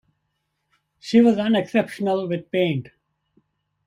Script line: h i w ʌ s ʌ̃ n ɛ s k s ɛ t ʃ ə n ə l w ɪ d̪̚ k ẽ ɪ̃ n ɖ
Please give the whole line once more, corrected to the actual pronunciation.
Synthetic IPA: ʃ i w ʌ z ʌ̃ n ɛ k s ɛ p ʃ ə n ə l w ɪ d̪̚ p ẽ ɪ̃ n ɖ